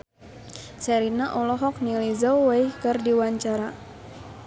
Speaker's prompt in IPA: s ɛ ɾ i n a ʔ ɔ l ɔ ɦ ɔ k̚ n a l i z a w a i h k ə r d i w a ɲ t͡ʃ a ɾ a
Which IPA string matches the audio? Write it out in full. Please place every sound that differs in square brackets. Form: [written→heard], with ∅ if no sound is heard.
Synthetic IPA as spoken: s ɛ ɾ i n a ʔ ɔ l ɔ ɦ ɔ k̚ n [a→i] l i z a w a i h k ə r d i w a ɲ t͡ʃ a ɾ a